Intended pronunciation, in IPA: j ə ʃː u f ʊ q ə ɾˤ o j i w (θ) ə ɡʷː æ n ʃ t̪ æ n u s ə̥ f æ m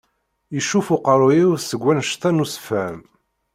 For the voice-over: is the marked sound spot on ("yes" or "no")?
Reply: no